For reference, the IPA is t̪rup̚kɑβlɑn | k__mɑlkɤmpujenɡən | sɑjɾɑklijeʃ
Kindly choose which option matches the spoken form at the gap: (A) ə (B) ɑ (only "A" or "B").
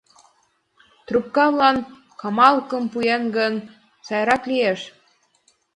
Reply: B